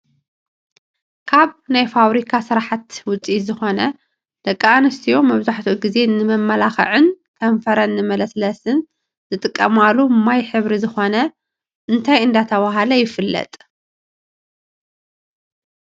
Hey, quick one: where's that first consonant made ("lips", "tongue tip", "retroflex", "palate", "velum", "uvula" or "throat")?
velum